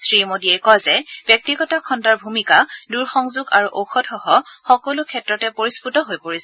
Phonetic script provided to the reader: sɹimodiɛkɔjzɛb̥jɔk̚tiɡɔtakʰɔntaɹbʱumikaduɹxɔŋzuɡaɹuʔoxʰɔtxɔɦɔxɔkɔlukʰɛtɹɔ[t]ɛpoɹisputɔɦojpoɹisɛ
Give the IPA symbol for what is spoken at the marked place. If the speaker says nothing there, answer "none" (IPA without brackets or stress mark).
t